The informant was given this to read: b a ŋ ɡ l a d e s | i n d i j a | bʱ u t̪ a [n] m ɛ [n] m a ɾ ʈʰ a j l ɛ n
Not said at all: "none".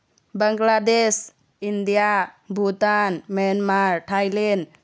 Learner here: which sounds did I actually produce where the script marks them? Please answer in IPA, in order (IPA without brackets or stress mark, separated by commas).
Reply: n, n